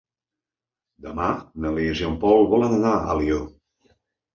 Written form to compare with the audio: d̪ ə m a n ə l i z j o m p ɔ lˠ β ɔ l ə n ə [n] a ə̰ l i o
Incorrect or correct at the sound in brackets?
correct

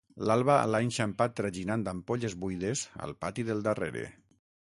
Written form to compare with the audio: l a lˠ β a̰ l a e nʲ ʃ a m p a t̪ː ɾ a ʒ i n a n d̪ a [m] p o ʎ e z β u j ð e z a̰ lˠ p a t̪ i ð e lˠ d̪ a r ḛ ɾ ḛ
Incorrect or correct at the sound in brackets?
correct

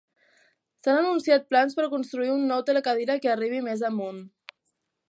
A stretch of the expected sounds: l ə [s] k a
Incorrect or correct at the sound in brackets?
incorrect: none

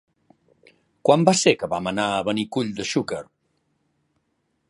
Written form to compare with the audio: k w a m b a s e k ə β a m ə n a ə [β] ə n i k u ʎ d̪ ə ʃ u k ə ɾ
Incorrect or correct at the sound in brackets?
correct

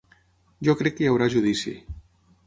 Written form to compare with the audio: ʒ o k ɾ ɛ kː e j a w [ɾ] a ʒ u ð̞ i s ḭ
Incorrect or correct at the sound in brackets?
correct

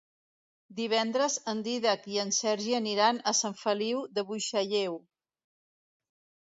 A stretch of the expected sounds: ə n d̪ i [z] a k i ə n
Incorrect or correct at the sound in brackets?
incorrect: ð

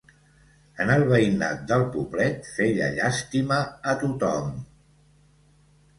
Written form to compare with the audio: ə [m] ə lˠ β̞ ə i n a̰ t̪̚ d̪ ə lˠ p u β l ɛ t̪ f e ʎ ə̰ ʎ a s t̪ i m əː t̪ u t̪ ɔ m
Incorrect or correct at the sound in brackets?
incorrect: n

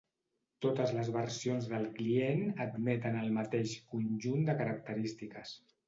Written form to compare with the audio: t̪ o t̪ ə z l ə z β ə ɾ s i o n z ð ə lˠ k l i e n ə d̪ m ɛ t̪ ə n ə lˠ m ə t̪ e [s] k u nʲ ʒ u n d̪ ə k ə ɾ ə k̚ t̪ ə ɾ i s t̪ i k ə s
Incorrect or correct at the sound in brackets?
incorrect: ʃ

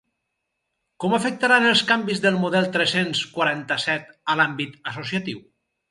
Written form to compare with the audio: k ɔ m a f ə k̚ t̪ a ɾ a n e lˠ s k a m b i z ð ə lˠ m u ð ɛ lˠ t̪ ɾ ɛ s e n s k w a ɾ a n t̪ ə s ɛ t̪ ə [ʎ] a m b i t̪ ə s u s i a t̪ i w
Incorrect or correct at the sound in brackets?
incorrect: l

